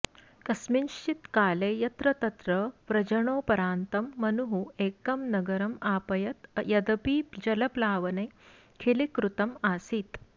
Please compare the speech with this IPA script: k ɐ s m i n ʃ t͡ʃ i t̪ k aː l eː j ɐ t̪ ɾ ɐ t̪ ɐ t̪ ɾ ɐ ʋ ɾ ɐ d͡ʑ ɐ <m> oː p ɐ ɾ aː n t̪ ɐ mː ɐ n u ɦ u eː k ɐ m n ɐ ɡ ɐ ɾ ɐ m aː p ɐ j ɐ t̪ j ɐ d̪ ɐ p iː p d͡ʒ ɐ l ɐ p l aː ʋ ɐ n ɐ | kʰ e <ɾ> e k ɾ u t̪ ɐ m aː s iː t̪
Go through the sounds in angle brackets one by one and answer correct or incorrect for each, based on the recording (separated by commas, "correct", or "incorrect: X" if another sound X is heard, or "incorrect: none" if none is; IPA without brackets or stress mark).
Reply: incorrect: ɳ, incorrect: l